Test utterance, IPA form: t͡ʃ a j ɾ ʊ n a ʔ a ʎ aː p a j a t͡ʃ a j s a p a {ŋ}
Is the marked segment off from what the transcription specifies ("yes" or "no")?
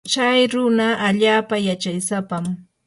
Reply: yes